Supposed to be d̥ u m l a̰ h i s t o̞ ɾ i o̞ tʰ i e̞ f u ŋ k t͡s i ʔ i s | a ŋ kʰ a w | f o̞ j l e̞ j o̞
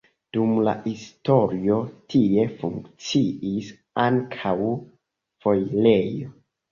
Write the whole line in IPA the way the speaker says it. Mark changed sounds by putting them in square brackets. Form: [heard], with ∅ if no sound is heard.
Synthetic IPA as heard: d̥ u m l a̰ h i s t o̞ ɾ i o̞ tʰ i e̞ f u ŋ k t͡s i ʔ i s | a ŋ kʰ a w | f o̞ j l e̞ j o̞